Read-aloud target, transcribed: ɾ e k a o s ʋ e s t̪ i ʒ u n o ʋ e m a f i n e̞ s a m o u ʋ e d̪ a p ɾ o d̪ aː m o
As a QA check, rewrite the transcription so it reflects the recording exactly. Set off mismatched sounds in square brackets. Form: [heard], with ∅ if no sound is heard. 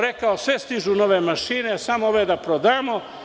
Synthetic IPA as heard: ɾ e k a o s ʋ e s t̪ i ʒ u n o ʋ e m a [ʃ] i n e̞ s a m o [o] ʋ e d̪ a p ɾ o d̪ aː m o